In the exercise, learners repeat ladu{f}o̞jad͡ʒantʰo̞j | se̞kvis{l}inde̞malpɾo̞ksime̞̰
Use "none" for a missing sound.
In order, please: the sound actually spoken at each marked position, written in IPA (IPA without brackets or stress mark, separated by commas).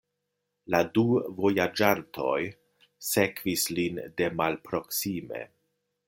v, l